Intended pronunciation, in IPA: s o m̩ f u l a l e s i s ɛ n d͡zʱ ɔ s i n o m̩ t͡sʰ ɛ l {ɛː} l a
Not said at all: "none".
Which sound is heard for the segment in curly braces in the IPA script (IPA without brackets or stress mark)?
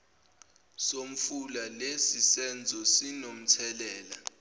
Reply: ɛː